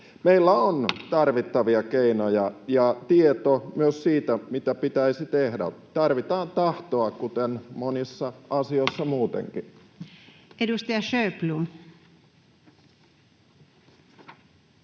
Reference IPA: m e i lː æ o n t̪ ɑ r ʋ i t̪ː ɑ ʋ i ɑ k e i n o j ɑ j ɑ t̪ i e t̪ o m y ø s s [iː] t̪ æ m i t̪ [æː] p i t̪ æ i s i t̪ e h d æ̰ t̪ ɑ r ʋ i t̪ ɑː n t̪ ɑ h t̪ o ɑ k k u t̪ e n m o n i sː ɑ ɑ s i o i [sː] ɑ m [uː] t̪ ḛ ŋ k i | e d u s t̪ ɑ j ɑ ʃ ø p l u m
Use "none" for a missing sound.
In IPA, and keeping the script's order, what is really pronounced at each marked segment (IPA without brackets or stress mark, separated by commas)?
iː, æ, sː, uː